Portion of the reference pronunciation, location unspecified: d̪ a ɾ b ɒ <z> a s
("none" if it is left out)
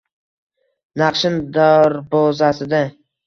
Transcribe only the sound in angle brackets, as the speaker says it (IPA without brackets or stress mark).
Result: z